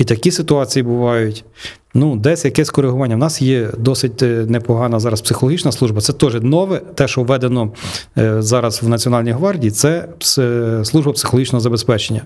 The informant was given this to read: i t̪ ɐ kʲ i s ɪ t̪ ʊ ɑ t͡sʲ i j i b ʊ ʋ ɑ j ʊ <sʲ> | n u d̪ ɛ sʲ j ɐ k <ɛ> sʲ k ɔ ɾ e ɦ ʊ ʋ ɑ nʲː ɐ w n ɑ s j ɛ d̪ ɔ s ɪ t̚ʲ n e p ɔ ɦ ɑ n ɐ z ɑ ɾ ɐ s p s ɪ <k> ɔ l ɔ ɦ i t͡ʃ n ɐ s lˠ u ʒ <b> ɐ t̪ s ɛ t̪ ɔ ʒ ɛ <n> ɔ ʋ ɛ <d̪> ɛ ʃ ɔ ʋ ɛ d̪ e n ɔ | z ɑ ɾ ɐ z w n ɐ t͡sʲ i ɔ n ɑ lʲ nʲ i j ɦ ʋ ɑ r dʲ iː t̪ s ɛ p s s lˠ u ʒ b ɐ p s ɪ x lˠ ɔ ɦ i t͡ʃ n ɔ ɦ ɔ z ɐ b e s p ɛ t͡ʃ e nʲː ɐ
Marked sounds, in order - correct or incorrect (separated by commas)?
incorrect, correct, incorrect, correct, correct, incorrect